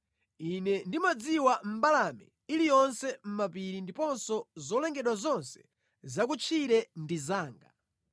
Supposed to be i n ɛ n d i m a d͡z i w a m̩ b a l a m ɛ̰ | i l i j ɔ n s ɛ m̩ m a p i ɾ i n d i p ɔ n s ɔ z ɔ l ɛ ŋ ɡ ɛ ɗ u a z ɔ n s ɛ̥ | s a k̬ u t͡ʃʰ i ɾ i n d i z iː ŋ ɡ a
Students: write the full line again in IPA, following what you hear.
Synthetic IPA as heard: i n ɛ n d i m a d͡z i w a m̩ b a l a m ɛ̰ | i l i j ɔ n s ɛ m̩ m a p i ɾ i n d i p ɔ n s ɔ z ɔ l ɛ ŋ ɡ ɛ ɗ w a z ɔ n s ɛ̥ | z a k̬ u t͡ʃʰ i ɾ ɛ n d i z aː ŋ ɡ a

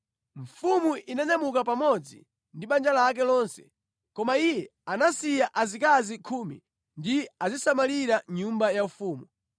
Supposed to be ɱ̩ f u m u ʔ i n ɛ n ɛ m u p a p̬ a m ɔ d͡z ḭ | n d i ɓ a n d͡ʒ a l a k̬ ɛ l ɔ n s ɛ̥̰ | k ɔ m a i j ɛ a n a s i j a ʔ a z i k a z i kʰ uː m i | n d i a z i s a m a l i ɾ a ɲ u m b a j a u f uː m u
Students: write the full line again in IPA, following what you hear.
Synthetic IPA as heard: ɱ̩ f u m u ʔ i n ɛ n ɛ m u k a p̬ a m ɔ d͡z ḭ | n d i ɓ a n d͡ʒ a l a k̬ ɛ l ɔ n s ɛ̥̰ | k ɔ m a i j ɛ a n a s i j a ʔ a z i k a z i kʰ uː m i | n d i a z i s a m a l i ɾ a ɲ u m b a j a u f uː m u

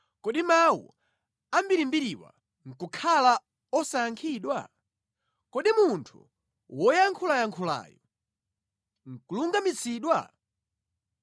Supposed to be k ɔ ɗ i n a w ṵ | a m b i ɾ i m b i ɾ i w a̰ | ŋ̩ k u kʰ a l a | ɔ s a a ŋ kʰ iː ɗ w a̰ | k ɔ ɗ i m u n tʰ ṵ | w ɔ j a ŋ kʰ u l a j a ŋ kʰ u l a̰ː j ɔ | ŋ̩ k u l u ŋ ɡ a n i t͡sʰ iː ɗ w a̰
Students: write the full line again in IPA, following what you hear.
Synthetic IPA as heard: k ɔ ɗ i m a w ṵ | a m b i ɾ i m b i ɾ i w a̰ | ŋ̩ k u kʰ a l a | ɔ s a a ŋ kʰ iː ɗ w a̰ | k ɔ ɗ i m u n tʰ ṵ | w ɔ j a ŋ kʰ u l a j a ŋ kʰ u l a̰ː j ɔ | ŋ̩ k u l u ŋ ɡ a m i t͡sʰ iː ɗ w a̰

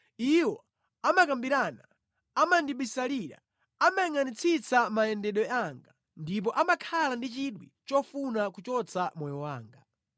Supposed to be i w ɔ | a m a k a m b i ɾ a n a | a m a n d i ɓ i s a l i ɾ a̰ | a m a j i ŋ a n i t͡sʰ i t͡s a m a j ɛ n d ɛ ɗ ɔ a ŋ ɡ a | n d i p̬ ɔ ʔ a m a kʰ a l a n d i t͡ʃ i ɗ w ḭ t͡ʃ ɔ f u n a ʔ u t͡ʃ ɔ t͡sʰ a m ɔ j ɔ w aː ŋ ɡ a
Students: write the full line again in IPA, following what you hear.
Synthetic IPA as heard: i w ɔ | a m a k a m b i ɾ a n a | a m a n d i ɓ i s a l i ɾ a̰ | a m a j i ŋ a n i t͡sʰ i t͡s a m a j ɛ n d ɛ ɗ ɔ a ŋ ɡ a | n d i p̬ ɔ ʔ a m a kʰ a l a n d i t͡ʃ i ɗ w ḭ t͡ʃ ɔ f u n a k u t͡ʃ ɔ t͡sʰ a m ɔ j ɔ w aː ŋ ɡ a

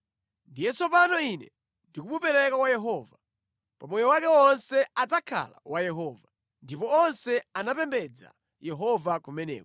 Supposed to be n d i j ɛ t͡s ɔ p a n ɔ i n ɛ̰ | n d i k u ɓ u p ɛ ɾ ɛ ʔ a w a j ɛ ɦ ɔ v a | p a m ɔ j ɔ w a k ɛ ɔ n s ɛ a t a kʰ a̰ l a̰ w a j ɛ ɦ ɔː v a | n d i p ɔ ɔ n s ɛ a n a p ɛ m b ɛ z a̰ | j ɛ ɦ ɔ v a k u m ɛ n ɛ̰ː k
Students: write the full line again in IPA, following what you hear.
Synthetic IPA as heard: n d i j ɛ t͡s ɔ p a n ɔ i n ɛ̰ | n d i k u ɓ u p ɛ ɾ ɛ k a w a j ɛ ɦ ɔ v a | p a m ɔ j ɔ w a k ɛ ɔ n s ɛ a t a kʰ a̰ l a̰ w a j ɛ ɦ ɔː v a | n d i p ɔ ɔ n s ɛ a n a p ɛ m b ɛ d͡z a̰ | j ɛ ɦ ɔ v a k u m ɛ n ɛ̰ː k

